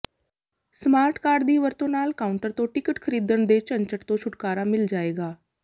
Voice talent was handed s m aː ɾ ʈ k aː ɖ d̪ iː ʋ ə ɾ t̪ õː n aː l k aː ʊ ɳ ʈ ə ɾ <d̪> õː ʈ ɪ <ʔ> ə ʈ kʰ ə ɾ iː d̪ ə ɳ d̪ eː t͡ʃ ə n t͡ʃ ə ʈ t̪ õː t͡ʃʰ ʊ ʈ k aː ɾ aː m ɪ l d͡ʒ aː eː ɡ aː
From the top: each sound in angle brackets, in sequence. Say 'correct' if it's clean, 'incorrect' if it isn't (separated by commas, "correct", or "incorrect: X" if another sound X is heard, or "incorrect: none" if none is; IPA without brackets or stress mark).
incorrect: t̪, incorrect: k